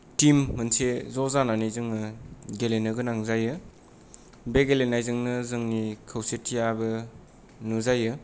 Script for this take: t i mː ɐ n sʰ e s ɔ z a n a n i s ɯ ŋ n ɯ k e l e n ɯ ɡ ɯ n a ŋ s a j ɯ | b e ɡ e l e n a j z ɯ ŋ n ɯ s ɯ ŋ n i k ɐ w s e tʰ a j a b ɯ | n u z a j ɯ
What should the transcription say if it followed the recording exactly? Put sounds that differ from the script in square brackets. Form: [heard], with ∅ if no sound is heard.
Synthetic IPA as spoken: t i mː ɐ n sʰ e [z] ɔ z a n a n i [z] ɯ ŋ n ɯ [ɡ] e l e n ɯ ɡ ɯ n a ŋ [z] a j ɯ | b e ɡ e l e n a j z ɯ ŋ n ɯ [z] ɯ ŋ n i [kʰ] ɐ w s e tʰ [i] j a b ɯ | n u z a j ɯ